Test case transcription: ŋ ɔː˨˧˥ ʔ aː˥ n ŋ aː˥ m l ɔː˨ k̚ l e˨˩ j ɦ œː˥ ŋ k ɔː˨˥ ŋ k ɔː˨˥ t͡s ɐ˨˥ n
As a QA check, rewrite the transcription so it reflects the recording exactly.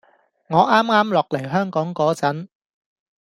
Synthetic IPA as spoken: ŋ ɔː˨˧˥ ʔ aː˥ m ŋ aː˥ m l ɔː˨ k̚ l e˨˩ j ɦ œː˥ ŋ k ɔː˨˥ ŋ k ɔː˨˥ t͡s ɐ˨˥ n